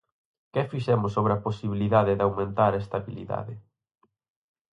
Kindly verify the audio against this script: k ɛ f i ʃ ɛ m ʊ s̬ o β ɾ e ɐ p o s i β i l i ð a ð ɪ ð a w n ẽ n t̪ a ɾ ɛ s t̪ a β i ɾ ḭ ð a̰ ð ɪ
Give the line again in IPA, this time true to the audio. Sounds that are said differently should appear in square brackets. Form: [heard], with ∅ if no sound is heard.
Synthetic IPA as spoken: k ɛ f i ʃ ɛ m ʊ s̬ o β ɾ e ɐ p o s i β i l i ð a ð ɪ ð a w [m] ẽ n t̪ a ɾ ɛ s t̪ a β i [l] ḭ ð a̰ ð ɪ